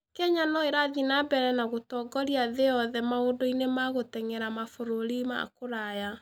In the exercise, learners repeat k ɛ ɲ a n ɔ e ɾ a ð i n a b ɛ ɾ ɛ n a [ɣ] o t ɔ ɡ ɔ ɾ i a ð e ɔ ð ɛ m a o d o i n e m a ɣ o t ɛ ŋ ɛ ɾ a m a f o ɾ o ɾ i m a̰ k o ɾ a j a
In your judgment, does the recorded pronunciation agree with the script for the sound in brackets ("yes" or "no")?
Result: yes